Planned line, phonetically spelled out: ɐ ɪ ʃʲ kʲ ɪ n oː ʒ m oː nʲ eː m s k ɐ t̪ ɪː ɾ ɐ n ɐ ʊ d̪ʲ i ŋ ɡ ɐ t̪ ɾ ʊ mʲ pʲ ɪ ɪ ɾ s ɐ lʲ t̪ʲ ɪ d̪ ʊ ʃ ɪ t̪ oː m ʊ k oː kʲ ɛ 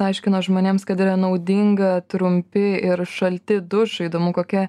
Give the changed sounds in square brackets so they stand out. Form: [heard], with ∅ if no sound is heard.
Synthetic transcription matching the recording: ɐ ɪ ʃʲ kʲ ɪ n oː ʒ m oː nʲ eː m s k ɐ t̪ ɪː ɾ ɐ n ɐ ʊ d̪ʲ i ŋ ɡ ɐ t̪ ɾ ʊ mʲ pʲ ɪ ɪ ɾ [ʃ] ɐ lʲ t̪ʲ ɪ d̪ ʊ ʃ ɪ [d̪] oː m ʊ k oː kʲ ɛ